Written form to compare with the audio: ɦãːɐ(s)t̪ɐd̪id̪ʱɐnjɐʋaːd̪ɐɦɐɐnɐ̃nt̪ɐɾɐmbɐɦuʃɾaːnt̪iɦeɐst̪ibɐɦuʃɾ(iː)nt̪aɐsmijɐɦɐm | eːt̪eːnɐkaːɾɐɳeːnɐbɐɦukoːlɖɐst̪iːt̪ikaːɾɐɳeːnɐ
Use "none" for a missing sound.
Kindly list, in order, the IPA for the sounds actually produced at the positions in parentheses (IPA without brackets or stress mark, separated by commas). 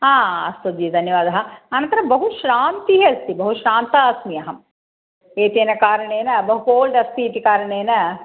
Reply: s, aː